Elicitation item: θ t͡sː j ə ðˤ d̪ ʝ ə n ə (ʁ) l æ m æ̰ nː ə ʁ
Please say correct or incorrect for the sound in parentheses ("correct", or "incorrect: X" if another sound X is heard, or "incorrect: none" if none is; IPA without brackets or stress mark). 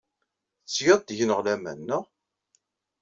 correct